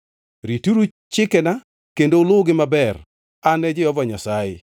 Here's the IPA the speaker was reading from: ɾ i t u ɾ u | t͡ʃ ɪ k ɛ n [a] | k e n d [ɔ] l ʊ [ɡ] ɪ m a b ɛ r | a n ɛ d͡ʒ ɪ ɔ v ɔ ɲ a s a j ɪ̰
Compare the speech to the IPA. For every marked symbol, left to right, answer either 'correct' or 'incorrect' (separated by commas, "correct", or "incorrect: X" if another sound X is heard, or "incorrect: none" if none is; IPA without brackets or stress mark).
correct, incorrect: o, correct